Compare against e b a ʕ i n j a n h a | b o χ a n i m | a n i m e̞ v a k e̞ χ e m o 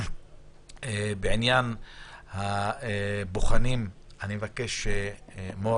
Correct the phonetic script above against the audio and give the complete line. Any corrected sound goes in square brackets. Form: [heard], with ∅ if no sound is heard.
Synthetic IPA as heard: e b [e] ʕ i n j a n h a | b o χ a n i m | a n i m e̞ v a k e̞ [ʃ] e m o